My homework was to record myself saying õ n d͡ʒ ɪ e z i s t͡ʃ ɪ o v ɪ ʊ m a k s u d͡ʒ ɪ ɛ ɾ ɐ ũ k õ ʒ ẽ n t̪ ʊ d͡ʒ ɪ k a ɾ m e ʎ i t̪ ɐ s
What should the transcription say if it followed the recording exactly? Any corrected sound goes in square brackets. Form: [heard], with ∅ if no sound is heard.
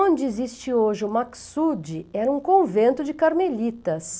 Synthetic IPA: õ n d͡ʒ ɪ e z i s t͡ʃ ɪ o [ʒ] ɪ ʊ m a k s u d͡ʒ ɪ ɛ ɾ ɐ ũ k õ [v] ẽ n t̪ ʊ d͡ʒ ɪ k a ɾ m e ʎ i t̪ ɐ s